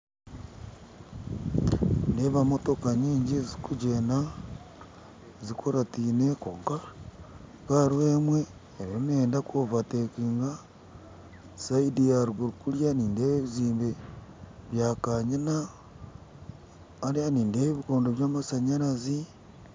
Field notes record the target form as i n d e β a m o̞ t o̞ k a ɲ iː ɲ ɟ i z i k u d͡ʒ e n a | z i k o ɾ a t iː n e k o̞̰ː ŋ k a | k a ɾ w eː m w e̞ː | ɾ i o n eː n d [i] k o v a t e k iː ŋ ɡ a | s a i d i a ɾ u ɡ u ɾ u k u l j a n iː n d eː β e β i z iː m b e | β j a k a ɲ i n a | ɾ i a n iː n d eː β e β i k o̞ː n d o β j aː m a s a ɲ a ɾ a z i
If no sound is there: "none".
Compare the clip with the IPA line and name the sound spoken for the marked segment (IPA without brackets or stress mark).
a